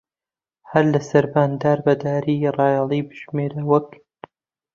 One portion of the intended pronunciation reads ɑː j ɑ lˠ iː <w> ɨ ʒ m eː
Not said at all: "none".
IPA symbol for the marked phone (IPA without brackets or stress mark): b